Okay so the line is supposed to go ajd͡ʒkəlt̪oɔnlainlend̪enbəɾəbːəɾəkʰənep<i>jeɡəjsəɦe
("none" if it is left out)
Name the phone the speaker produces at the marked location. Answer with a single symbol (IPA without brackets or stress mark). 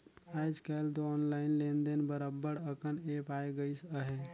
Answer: a